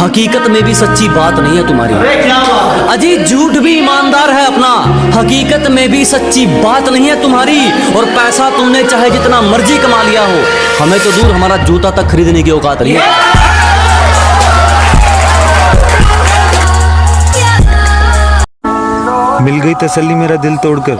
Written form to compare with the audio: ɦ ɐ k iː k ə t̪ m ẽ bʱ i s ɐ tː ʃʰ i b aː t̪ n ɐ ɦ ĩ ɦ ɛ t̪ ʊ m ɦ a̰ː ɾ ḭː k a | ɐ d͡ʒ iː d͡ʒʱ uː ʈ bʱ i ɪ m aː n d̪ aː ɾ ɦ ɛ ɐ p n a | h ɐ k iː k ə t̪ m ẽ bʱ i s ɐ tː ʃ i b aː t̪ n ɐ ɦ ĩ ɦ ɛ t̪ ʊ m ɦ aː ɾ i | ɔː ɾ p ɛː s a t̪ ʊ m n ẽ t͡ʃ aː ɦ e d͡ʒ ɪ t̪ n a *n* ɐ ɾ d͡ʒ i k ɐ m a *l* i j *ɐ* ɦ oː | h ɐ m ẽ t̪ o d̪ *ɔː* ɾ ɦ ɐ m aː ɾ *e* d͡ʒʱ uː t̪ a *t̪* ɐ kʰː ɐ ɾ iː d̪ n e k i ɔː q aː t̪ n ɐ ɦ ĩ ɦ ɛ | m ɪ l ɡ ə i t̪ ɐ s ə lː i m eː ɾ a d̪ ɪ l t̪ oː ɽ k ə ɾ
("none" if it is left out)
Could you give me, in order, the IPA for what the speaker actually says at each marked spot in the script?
m, l, a, uː, a, t̪

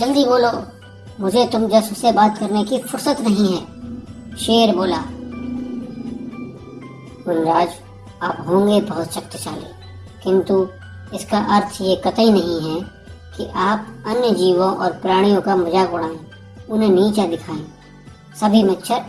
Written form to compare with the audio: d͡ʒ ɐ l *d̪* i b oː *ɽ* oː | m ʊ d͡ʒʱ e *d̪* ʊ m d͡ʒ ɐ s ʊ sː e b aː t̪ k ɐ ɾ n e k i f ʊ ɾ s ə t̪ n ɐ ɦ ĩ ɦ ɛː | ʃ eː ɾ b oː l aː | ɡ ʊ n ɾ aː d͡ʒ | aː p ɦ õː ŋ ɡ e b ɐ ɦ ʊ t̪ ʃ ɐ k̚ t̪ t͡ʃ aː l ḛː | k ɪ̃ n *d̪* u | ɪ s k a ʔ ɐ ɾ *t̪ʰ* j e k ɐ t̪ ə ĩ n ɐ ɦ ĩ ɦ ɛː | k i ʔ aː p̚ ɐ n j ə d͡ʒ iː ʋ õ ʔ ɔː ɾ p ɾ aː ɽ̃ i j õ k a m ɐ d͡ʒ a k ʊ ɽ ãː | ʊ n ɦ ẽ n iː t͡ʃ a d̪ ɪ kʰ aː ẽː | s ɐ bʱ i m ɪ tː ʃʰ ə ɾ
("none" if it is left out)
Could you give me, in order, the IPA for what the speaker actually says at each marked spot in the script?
d̪, l, t̪, t̪, t̪ʰ

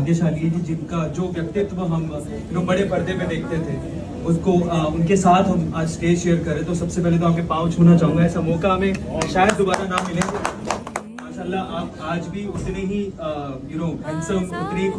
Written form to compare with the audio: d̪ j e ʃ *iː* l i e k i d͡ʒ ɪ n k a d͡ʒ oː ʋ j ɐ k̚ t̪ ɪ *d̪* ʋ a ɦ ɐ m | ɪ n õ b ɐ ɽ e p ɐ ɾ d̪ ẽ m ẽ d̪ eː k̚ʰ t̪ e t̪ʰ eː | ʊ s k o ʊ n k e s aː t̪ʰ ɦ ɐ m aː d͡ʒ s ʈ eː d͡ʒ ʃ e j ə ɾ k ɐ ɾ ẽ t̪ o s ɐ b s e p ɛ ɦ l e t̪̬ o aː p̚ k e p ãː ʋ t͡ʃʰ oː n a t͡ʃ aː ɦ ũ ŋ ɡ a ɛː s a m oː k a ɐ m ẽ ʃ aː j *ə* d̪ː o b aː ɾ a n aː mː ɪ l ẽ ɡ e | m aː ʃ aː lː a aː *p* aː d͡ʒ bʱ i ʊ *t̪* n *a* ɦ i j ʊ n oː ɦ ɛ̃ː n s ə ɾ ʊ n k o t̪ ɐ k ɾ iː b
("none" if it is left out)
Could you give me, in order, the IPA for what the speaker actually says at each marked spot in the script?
aː, t̪, ə, p, t̪, e

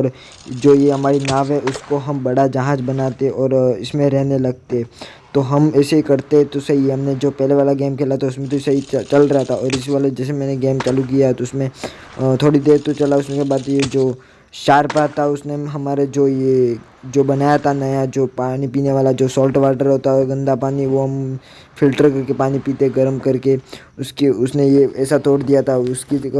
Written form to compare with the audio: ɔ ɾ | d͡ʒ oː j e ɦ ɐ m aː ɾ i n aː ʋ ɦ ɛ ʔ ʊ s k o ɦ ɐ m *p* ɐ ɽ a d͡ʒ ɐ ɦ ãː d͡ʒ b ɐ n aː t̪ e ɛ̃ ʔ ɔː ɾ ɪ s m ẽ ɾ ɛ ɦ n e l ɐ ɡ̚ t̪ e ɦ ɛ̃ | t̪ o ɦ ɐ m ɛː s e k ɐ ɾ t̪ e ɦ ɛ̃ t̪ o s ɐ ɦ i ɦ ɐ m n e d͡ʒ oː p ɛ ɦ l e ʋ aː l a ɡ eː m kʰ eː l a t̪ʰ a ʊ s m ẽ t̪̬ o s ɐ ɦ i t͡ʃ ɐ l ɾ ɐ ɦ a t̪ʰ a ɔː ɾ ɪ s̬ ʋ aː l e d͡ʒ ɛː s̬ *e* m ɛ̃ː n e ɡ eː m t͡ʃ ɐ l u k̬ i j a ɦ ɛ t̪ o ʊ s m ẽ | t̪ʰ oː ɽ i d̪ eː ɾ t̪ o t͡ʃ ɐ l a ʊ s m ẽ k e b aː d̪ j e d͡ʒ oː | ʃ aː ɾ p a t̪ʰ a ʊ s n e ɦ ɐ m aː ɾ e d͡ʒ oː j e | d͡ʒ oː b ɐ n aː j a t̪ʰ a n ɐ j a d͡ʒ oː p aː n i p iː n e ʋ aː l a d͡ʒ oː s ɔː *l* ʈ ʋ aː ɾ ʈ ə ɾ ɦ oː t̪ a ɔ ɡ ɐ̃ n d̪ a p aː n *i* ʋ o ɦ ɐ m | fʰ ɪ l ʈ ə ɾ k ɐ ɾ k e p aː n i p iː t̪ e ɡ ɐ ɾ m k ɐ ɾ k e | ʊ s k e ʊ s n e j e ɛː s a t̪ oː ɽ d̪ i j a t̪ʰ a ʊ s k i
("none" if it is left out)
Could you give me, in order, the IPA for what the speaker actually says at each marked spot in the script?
b, e, l, i

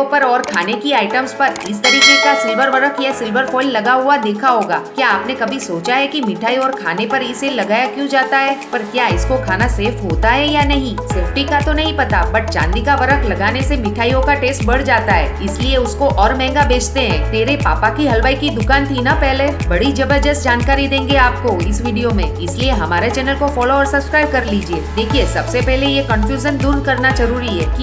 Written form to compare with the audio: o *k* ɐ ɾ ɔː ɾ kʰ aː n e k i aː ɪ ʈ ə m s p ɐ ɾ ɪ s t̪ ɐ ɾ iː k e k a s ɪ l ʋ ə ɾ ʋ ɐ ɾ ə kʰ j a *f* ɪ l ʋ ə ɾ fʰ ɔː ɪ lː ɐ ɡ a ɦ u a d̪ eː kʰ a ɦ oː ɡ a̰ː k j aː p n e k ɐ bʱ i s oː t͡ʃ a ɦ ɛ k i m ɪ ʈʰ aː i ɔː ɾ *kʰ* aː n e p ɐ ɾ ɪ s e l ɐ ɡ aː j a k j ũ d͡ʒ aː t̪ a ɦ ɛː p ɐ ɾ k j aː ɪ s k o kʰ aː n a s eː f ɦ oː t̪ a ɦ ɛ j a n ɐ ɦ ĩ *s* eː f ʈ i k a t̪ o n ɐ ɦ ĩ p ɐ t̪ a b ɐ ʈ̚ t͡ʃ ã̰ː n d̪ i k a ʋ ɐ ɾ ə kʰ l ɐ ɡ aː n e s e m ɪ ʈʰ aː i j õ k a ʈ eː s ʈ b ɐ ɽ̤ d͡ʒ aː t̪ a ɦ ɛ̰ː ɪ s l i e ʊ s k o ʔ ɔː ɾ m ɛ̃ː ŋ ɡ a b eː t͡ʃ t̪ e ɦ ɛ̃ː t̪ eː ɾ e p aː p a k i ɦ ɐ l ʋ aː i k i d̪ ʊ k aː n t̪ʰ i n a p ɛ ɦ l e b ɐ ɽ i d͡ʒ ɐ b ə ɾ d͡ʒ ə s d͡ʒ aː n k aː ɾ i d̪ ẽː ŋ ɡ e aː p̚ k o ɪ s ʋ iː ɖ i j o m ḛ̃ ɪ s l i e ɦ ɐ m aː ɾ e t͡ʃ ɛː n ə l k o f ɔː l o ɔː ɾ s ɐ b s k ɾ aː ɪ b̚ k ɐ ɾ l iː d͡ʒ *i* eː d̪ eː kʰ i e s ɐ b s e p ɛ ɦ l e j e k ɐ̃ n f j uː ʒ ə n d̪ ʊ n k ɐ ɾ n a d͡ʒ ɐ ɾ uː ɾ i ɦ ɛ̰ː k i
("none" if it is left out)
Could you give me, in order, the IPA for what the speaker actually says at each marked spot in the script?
p, s, kʰ, s, i

